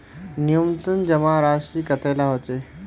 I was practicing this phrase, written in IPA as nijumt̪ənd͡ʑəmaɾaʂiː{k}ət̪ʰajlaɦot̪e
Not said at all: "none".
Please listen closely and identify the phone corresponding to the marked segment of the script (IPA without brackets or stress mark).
k